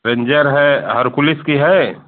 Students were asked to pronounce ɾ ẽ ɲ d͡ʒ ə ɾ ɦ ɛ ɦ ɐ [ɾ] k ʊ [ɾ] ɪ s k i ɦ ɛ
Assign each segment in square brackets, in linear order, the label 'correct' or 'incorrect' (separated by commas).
correct, incorrect